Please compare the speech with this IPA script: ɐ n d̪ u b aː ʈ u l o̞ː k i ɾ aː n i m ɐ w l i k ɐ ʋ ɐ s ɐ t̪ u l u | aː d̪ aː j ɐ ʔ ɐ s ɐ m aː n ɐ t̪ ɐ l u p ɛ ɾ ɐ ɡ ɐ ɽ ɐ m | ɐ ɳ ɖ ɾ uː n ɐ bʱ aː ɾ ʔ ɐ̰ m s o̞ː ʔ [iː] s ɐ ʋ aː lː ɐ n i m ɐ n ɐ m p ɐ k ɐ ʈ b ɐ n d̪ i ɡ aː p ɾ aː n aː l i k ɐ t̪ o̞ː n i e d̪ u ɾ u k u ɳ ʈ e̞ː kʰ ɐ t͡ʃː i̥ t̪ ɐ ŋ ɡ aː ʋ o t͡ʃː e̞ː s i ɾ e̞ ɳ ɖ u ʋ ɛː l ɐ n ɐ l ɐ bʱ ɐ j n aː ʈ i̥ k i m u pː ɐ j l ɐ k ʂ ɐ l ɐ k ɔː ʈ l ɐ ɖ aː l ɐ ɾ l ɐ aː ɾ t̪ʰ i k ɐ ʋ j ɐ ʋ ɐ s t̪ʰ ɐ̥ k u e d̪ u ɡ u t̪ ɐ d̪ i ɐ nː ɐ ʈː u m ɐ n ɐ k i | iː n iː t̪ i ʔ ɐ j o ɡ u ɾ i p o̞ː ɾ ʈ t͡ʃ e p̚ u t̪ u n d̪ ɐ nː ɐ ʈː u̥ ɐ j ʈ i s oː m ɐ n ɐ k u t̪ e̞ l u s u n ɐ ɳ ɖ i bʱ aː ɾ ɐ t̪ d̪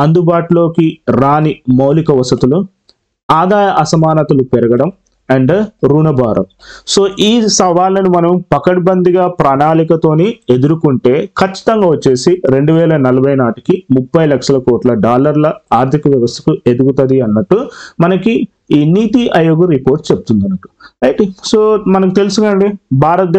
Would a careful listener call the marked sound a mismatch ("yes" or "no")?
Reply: no